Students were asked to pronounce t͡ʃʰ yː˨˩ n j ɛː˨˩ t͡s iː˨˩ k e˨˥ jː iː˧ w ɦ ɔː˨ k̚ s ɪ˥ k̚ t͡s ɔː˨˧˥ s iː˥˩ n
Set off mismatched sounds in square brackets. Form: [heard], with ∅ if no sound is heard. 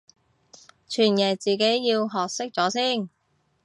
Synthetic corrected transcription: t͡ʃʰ yː˨˩ n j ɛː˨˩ t͡s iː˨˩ k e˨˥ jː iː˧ w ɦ ɔː˨ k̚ s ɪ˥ k̚ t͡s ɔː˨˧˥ s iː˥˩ n